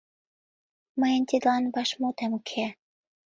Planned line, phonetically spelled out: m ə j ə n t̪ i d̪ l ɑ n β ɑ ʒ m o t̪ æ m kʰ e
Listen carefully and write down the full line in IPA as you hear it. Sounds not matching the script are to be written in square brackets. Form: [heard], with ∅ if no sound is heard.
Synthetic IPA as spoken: m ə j ə n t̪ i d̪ l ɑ n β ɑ [ʃ] m o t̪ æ m kʰ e